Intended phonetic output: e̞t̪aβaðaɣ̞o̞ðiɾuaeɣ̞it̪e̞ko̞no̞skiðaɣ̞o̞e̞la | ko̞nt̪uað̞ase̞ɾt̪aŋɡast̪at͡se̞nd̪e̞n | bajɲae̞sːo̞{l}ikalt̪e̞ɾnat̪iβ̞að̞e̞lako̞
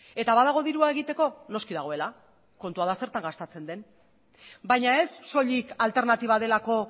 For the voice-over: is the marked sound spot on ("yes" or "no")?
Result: no